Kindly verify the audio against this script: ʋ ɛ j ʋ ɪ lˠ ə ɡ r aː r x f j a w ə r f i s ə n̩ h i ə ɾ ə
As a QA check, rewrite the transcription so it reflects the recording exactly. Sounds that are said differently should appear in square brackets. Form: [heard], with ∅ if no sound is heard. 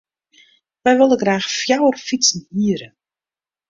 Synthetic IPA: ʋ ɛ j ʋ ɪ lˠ ə ɡ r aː [∅] x f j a w ə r f i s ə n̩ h i ə ɾ ə